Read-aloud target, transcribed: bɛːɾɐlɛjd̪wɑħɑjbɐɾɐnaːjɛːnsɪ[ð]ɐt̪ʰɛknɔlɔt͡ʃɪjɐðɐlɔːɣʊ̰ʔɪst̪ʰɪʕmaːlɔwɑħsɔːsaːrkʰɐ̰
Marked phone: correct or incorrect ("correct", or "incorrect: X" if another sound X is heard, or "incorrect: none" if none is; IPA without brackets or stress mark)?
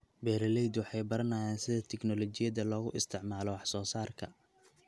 correct